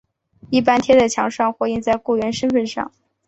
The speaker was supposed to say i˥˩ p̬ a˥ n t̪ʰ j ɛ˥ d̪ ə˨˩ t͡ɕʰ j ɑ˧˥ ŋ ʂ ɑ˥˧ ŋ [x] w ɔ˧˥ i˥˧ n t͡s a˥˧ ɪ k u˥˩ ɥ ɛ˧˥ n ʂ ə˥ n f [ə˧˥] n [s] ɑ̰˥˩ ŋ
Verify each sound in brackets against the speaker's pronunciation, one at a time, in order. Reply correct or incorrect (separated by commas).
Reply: correct, incorrect, incorrect